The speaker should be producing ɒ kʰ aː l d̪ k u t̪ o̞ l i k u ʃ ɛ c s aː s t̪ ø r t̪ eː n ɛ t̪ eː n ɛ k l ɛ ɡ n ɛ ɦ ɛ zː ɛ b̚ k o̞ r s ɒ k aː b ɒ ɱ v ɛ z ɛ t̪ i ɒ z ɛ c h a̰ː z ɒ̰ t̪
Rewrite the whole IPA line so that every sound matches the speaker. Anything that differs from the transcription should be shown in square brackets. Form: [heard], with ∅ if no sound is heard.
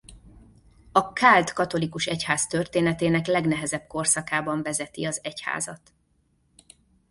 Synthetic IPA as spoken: ɒ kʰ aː l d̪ k [ɒ] t̪ o̞ l i k u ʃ ɛ c [h] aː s t̪ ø r t̪ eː n ɛ t̪ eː n ɛ k l ɛ ɡ n ɛ ɦ ɛ [z] ɛ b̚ k o̞ r s ɒ k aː b ɒ ɱ v ɛ z ɛ t̪ i ɒ z ɛ c h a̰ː z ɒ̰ t̪